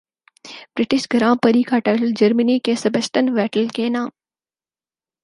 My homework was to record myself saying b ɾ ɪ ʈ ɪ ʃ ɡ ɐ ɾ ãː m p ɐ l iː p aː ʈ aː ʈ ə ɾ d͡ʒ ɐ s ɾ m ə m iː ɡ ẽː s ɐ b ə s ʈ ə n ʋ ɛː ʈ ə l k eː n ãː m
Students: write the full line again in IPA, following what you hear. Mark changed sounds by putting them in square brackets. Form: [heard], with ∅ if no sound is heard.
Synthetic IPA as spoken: b ɾ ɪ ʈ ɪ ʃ ɡ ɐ ɾ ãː m p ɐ [ɾ] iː [k] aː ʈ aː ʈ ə [l] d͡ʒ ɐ [∅] ɾ m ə [n] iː [k] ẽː s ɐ b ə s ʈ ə n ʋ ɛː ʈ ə l k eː n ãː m